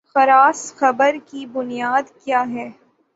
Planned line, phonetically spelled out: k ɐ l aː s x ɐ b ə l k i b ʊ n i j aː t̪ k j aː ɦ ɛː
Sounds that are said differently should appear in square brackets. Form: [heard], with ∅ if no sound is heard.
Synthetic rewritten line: [x] ɐ [ɾ] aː s x ɐ b ə [ɾ] k i b ʊ n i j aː [d̪] k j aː ɦ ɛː